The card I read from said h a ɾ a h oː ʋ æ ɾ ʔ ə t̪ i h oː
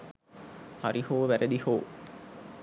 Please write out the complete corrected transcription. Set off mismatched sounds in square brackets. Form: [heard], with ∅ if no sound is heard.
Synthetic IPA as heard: h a ɾ [i] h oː ʋ æ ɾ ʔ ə [d̪] i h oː

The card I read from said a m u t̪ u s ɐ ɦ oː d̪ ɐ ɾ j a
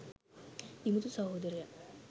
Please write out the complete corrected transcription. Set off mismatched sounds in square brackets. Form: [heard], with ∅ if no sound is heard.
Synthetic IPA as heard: [i] m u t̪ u s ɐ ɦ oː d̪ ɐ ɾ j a

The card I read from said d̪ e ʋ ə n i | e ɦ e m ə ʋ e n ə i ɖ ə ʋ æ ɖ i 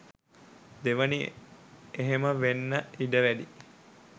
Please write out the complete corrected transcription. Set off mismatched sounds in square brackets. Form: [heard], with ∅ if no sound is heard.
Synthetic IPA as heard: d̪ e ʋ ə n i | e ɦ e m ə ʋ e [nː] ə i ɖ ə ʋ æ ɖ i

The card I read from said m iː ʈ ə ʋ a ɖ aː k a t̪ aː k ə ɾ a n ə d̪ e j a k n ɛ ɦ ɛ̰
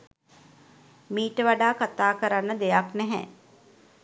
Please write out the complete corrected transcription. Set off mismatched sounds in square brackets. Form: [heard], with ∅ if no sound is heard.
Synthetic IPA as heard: m iː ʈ ə ʋ a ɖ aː k a t̪ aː k ə ɾ a [nː] ə d̪ e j a k n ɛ ɦ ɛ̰

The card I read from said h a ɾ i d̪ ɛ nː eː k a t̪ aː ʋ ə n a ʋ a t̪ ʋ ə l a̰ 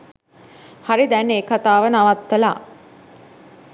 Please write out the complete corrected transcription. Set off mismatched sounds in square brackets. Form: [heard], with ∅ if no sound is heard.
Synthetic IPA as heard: h a ɾ i d̪ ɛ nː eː k a t̪ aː ʋ ə n a ʋ a t̪ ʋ ə l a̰

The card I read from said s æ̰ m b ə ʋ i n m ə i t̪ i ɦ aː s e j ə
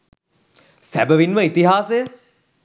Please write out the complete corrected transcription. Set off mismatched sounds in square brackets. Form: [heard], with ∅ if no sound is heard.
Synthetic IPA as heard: s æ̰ [∅] b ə ʋ i n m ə i t̪ i ɦ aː s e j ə

